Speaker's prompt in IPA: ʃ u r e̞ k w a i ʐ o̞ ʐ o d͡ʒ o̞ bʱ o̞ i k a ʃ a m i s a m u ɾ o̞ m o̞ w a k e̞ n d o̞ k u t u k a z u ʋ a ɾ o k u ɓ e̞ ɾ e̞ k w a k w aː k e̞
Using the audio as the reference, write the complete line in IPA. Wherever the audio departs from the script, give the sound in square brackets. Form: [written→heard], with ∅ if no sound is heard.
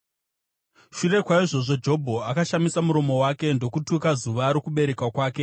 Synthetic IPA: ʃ u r e̞ k w a i ʐ o̞ ʐ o d͡ʒ o̞ bʱ o̞ [i→a] k a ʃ a m i s a m u ɾ o̞ m o̞ w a k e̞ n d o̞ k u t u k a z u ʋ a ɾ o k u ɓ e̞ ɾ e̞ k w a k w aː k e̞